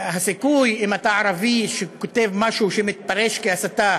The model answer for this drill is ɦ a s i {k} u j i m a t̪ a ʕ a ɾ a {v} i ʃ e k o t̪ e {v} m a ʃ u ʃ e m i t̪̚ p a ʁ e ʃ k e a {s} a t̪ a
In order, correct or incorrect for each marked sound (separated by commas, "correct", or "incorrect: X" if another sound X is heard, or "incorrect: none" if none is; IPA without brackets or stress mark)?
correct, correct, correct, correct